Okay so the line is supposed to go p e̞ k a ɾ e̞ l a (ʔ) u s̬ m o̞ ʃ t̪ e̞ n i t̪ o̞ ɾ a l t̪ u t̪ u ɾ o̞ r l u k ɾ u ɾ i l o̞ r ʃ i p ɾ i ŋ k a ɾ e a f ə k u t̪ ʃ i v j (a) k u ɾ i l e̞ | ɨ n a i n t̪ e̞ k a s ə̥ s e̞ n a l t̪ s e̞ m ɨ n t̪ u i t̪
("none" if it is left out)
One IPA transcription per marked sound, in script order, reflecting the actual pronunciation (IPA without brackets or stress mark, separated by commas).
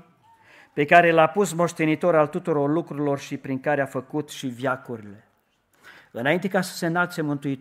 p, a